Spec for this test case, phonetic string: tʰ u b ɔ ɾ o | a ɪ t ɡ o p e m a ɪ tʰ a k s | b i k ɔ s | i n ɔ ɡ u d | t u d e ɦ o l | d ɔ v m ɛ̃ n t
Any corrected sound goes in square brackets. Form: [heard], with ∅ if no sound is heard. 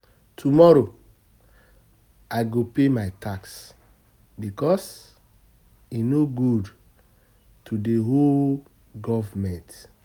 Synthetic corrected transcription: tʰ u [m] ɔ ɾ o | a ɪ [∅] ɡ o p e m a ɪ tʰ a k s | b i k ɔ s | i n [o] ɡ u d | t u d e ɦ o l | [ɡ] ɔ v m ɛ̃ n t